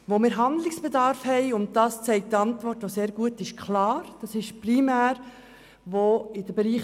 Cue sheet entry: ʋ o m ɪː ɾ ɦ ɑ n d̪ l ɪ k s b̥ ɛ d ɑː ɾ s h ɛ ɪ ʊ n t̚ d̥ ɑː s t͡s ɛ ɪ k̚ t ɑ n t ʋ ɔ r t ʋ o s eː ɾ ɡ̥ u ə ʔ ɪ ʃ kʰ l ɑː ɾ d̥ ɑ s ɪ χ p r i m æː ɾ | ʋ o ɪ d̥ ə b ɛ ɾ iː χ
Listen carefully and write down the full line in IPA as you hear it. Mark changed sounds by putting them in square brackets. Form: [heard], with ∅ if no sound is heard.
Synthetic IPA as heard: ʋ o m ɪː ɾ ɦ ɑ n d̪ l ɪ k s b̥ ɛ d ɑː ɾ [f] h ɛ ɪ ʊ n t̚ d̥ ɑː s t͡s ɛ ɪ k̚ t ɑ n t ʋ ɔ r t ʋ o s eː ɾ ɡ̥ u ə [t] ɪ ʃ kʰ l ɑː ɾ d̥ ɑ s ɪ [ʃ] p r i m æː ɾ | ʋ o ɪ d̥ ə b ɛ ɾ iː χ